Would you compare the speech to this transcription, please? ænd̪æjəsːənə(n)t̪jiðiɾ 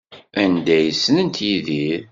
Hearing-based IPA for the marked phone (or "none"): n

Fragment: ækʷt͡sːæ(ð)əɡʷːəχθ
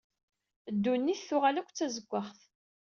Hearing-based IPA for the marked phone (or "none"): z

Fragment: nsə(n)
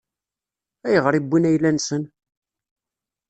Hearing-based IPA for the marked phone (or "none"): n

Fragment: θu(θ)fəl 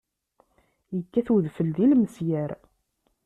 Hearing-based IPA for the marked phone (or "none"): ð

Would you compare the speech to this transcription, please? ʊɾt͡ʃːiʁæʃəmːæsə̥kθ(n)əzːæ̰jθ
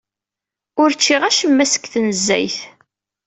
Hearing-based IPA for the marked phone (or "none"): n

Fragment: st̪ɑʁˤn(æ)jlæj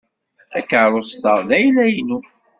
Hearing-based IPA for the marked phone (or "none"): æ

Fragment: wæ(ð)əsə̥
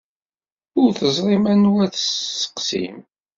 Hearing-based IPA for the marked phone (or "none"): θ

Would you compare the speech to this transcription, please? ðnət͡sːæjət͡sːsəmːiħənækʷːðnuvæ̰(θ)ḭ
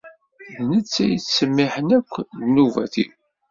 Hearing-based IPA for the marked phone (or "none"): θ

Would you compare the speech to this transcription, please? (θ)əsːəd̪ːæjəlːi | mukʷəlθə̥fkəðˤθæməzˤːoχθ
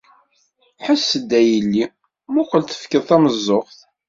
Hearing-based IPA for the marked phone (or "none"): ħ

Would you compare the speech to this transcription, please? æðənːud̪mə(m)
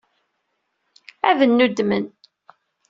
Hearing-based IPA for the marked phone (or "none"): n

